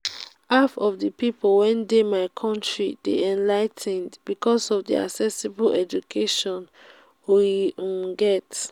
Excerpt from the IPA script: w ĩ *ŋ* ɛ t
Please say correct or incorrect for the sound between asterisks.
incorrect